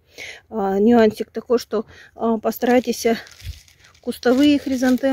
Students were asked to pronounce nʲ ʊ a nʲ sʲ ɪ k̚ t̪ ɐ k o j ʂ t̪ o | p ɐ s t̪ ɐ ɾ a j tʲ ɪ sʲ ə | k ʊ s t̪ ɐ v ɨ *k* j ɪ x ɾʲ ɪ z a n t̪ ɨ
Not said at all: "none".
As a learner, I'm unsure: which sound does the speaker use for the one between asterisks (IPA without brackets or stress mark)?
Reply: none